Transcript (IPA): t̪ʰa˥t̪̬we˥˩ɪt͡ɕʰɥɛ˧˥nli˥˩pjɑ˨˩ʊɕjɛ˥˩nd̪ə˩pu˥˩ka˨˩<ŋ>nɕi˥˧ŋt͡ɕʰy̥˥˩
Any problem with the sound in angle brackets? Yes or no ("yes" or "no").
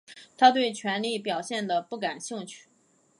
yes